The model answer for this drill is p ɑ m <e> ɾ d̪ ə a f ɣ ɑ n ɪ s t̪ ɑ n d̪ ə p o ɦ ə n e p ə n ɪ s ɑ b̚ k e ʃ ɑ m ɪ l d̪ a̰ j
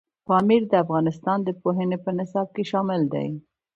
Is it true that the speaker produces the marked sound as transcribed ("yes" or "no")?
no